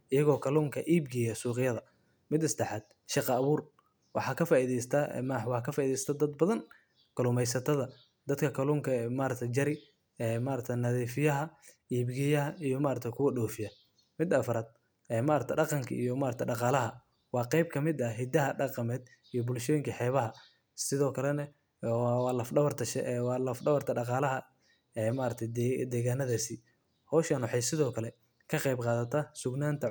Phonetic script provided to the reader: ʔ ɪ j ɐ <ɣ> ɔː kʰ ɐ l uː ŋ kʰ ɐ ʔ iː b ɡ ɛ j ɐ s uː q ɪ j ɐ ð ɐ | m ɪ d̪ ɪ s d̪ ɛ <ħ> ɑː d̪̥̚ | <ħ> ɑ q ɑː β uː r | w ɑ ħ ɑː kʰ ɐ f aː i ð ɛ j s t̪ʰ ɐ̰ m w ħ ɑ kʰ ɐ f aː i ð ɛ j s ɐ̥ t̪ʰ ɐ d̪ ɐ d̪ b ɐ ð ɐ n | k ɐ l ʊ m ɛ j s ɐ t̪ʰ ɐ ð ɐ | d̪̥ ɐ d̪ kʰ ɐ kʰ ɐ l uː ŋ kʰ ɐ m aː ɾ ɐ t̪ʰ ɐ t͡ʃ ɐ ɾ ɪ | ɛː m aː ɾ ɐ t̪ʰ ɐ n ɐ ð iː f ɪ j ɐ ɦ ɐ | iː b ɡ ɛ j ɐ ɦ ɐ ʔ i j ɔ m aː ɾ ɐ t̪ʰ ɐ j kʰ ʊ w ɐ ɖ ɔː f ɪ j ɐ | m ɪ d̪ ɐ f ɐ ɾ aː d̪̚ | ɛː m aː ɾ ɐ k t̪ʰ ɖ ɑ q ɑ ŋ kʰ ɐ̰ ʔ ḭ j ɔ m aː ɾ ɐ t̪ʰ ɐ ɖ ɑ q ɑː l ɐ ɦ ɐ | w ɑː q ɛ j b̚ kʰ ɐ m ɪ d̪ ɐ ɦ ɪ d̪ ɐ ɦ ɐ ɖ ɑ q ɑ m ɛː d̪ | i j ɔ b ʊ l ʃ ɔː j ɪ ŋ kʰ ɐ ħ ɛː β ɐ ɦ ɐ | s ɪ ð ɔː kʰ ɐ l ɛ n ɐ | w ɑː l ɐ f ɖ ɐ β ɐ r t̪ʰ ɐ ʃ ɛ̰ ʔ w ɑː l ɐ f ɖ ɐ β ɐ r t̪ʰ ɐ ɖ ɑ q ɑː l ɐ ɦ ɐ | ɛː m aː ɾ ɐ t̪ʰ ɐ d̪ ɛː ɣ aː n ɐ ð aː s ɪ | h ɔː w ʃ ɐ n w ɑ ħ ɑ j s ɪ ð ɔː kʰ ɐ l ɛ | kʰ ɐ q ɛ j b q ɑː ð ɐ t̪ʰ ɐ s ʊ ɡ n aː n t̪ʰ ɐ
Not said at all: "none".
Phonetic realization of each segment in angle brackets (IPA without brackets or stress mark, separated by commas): ɣ, ħ, ʃ